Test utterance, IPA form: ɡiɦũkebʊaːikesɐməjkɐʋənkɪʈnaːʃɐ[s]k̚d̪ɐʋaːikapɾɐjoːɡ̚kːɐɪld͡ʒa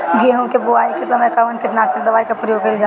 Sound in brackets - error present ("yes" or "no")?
yes